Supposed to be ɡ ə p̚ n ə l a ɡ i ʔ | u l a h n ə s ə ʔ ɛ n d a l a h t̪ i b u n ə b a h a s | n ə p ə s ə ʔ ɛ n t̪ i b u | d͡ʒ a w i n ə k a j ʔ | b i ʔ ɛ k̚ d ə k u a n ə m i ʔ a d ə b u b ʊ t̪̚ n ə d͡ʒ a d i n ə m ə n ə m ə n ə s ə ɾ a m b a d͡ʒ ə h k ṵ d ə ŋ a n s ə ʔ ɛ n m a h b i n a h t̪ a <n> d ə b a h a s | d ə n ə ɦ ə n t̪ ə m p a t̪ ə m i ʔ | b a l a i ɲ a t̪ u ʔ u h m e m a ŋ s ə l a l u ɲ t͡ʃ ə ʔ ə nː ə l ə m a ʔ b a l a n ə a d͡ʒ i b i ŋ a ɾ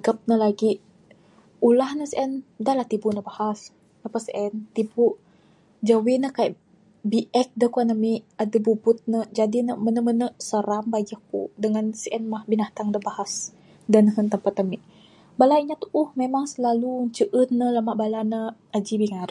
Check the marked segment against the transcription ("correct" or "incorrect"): incorrect